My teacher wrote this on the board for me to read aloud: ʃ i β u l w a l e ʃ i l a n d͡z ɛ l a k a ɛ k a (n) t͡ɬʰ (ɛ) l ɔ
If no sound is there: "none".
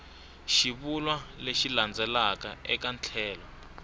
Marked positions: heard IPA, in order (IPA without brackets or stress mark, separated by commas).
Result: n, ɛː